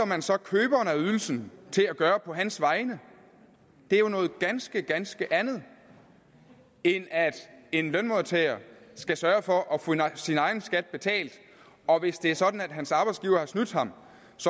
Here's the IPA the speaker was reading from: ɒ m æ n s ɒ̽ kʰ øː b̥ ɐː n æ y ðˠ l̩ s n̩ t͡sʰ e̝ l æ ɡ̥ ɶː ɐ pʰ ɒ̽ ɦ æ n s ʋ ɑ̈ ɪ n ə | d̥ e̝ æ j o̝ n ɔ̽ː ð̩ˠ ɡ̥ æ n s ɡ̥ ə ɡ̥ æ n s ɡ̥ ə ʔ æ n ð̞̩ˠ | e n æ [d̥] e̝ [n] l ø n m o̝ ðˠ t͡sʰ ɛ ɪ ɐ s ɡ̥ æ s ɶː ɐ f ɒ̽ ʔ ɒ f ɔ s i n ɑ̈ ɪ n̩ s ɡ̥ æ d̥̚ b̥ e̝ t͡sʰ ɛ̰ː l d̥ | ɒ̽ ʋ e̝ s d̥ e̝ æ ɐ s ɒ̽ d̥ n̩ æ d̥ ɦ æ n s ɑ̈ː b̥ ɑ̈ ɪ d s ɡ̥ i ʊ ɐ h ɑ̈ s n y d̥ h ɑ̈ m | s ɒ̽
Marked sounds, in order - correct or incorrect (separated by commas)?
correct, correct